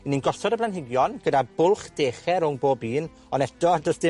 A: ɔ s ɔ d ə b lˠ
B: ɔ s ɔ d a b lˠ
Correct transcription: A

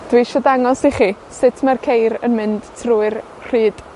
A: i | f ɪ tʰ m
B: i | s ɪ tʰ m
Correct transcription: B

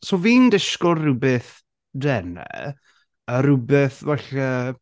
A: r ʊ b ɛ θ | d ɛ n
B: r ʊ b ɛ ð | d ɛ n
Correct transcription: A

